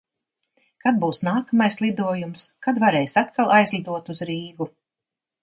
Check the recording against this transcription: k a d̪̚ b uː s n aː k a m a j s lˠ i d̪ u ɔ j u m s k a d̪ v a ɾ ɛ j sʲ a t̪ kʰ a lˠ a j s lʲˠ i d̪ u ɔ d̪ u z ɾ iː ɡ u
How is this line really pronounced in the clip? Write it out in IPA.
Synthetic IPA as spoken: k a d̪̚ b uː s n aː k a m a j s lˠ i d̪ u ɔ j u m s k a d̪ v a ɾ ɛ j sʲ a t̪ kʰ a lˠ a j z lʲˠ i d̪ u ɔ t̪ u z ɾ iː ɡ u